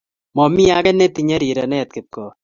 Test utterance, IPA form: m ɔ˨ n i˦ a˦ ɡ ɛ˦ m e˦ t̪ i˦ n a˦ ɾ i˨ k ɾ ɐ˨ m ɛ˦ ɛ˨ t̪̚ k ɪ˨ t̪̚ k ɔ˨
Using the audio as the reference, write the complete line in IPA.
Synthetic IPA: m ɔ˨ m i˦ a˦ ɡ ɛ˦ n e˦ t̪ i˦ ɲ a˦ ɾ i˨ ɾ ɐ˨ n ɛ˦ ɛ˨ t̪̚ k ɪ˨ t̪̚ k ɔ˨